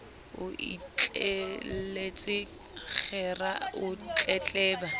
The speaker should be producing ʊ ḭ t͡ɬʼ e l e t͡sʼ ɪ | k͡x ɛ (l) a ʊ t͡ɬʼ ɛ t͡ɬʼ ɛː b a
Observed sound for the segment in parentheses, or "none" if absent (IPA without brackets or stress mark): r